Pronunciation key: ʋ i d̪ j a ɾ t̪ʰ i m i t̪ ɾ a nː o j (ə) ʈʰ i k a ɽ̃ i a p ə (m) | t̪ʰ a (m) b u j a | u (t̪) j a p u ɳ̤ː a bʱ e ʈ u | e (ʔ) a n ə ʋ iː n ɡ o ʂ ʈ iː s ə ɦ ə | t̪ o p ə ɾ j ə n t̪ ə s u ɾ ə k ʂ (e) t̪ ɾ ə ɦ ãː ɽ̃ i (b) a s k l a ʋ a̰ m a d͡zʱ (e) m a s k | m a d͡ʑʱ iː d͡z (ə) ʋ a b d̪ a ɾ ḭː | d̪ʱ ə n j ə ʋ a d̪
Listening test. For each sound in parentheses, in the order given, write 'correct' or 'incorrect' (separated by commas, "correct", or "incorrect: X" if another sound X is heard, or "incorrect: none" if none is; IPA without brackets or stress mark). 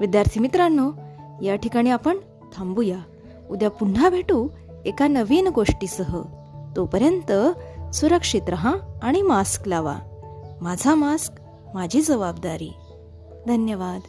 incorrect: a, incorrect: ɳ, correct, incorrect: d̪, incorrect: k, incorrect: i, incorrect: m, incorrect: a, correct